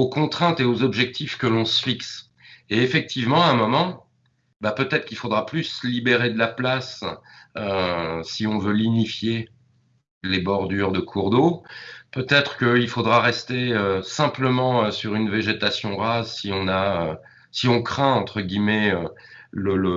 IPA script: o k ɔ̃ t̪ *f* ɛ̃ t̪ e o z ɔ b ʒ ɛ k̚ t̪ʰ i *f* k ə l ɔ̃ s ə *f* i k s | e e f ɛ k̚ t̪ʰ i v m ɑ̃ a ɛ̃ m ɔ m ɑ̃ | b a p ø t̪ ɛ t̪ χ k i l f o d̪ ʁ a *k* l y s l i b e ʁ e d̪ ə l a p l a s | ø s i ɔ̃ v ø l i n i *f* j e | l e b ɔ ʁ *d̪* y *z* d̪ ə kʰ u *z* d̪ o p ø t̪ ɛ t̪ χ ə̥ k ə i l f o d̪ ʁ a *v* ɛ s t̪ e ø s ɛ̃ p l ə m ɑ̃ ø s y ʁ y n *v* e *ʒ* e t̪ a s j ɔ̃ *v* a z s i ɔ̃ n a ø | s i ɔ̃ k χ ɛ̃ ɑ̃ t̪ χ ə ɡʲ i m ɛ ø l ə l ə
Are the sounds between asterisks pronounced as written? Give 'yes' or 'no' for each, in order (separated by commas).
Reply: no, yes, yes, no, yes, yes, no, no, no, yes, yes, no